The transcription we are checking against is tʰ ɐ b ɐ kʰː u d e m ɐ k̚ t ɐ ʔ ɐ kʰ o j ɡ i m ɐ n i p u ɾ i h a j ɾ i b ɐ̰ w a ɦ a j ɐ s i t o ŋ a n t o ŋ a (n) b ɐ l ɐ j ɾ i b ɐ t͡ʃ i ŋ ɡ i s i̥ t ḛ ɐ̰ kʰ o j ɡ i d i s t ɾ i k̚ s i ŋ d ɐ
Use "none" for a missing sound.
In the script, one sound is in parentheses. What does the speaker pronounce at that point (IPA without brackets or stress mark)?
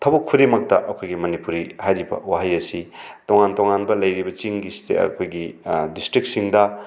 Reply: n